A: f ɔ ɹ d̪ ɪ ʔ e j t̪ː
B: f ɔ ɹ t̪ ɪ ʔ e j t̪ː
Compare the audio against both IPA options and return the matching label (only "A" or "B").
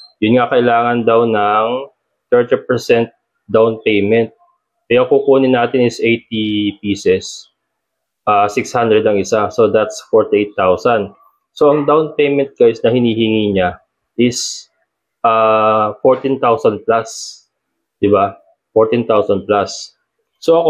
B